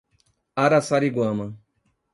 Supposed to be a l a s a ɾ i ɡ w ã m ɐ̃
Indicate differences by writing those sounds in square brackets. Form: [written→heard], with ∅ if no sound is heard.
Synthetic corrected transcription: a [l→ɾ] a s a ɾ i ɡ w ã m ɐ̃

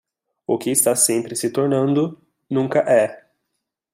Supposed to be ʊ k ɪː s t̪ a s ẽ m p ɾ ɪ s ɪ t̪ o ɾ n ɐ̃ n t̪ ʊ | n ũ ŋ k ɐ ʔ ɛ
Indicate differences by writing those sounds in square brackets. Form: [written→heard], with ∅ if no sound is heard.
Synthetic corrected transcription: ʊ k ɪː s t̪ a s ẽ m p ɾ ɪ s ɪ t̪ o ɾ n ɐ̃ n [t̪→d̪] ʊ | n ũ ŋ k ɐ ʔ ɛ

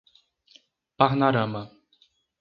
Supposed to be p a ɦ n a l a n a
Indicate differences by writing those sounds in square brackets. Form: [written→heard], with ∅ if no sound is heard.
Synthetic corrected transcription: p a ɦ n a [l→ɾ] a [n→m] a

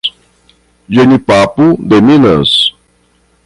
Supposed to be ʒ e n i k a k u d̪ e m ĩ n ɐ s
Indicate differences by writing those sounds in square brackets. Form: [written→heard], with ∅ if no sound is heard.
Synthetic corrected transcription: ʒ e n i [k→p] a [k→p] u d̪ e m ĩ n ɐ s

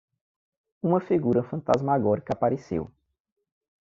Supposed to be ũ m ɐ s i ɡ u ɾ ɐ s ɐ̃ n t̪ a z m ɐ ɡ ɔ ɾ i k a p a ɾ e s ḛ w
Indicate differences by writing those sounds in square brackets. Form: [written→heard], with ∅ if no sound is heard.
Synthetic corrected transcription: ũ m ɐ [s→f] i ɡ u ɾ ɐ [s→f] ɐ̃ n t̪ a z m [ɐ→a] ɡ ɔ ɾ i k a p a ɾ e s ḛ w

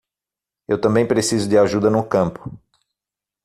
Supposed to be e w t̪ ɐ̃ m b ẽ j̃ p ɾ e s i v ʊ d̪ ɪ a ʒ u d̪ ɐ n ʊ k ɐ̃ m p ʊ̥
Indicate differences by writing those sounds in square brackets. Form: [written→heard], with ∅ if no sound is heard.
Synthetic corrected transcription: e w t̪ ɐ̃ m b ẽ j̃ p ɾ e s i [v→z] ʊ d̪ ɪ a ʒ u d̪ ɐ n ʊ k ɐ̃ m p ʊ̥

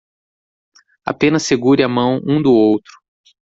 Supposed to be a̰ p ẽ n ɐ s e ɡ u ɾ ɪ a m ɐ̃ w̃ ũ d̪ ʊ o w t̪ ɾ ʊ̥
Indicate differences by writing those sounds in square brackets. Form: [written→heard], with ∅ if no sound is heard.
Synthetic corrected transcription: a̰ p ẽ n ɐ s e ɡ u ɾ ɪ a m ɐ̃ w̃ ũ d̪ ʊ o w t̪ ɾ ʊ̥

